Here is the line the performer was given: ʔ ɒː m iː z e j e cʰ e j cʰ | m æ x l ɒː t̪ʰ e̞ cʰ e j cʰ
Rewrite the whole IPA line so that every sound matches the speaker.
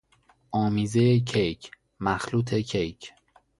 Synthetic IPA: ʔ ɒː m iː z e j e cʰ e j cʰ | m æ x l uː t̪ʰ e̞ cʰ e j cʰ